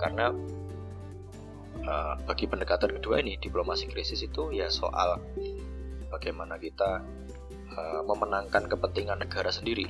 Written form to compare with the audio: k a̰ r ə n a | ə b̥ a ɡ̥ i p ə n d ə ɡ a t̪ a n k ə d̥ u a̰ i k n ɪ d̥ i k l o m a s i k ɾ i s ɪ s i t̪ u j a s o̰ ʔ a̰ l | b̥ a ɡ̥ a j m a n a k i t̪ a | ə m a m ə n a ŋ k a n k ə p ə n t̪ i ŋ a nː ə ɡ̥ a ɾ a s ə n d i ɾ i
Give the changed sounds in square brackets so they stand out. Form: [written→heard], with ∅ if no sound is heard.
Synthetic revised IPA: k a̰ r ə n a | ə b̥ a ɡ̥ i p ə n d ə [ɡ→k] a t̪ a n k ə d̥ u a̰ i [k→∅] n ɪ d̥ i [k→p] l o m a s i k ɾ i s ɪ s i t̪ u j a s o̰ ʔ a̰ l | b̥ a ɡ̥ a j m a n a k i t̪ a | ə m [a→ə] m ə n a ŋ k a n k ə p ə n t̪ i ŋ a nː ə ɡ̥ a ɾ a s ə n d i ɾ i